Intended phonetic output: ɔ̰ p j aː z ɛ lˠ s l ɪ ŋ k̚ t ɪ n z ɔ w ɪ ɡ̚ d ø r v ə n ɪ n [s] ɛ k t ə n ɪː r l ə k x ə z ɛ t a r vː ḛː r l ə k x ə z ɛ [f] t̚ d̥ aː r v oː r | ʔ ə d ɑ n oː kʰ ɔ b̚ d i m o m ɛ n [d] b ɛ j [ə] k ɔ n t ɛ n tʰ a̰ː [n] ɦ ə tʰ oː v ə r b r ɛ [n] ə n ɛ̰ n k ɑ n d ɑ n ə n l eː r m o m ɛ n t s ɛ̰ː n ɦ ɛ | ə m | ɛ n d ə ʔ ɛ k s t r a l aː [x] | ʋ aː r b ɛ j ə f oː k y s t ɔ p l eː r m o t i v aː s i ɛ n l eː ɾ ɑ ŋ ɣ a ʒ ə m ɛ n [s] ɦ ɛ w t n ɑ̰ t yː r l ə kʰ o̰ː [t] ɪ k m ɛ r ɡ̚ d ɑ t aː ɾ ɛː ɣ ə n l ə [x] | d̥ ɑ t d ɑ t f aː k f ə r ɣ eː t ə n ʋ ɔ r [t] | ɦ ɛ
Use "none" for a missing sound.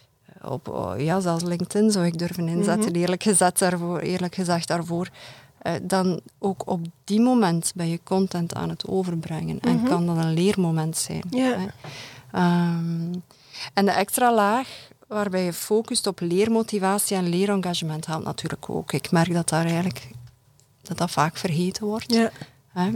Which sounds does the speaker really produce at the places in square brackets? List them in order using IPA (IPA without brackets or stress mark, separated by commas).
z, x, t, ə, n, ŋ, x, t, k, k, t